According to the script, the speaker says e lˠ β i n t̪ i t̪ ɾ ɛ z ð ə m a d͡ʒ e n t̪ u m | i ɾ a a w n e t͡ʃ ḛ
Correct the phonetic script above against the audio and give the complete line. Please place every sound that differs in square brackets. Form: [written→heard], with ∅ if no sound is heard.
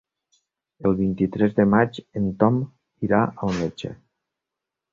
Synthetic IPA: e lˠ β i n t̪ i t̪ ɾ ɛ z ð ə m a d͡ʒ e n t̪ [u→ɔ] m | i ɾ a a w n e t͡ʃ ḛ